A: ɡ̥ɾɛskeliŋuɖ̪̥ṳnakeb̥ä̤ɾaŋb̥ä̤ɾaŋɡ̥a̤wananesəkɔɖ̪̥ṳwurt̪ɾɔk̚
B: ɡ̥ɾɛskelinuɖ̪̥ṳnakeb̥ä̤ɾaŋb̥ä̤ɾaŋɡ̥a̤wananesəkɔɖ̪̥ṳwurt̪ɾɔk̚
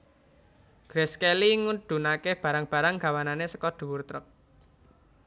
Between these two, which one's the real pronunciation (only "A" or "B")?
A